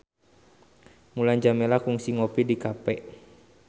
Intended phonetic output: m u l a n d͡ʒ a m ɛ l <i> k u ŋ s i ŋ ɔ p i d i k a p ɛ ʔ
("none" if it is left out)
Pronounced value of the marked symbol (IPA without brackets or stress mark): a